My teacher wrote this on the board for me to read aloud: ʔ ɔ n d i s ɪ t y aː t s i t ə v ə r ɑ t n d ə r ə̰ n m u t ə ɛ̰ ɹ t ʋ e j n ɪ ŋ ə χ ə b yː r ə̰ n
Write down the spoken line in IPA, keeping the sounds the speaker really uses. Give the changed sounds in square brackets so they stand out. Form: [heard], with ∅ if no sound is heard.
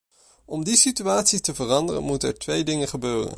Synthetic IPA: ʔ ɔ [m] d i s [i] t y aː t s i t ə v ə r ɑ [∅] n d ə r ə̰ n m u t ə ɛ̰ ɹ t ʋ e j [d] ɪ ŋ ə χ ə b [øː] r ə̰ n